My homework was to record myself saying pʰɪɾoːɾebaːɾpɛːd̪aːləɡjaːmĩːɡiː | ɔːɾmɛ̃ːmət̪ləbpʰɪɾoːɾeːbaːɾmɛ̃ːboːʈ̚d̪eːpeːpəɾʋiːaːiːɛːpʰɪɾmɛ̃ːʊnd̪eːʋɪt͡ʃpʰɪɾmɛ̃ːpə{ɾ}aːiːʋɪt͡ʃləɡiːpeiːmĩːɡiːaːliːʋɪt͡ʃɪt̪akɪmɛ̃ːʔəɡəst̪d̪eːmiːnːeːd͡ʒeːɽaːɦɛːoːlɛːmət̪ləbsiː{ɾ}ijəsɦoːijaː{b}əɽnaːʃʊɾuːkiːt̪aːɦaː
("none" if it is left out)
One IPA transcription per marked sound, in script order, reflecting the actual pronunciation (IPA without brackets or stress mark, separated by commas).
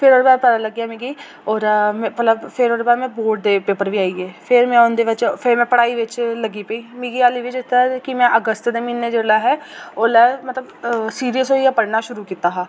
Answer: ɽ, ɾ, p